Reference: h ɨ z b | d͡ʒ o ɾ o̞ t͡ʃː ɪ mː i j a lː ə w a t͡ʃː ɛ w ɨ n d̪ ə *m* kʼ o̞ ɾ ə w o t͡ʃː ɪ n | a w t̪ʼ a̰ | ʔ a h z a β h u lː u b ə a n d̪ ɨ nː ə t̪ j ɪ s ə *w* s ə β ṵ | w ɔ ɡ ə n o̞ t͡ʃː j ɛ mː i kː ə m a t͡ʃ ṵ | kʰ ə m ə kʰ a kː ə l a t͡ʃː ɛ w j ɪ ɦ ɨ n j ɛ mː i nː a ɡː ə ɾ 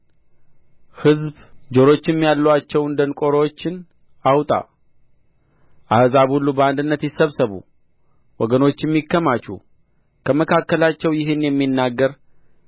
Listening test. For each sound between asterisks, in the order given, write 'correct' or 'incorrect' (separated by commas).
incorrect, incorrect